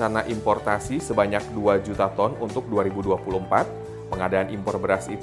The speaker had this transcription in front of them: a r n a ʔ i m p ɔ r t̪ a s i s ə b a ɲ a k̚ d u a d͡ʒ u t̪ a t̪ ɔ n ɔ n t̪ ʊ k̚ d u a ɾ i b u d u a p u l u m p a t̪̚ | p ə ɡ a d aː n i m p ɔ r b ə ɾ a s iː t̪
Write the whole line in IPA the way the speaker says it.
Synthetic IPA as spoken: a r n a ʔ i m p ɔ r t̪ a s i s ə b a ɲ a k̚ d u a d͡ʒ u t̪ a t̪ ɔ n u n t̪ ʊ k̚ d u a ɾ i b u d u a p u l u m p a t̪̚ | p ə ŋ a d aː n i m p ɔ r b ə ɾ a s i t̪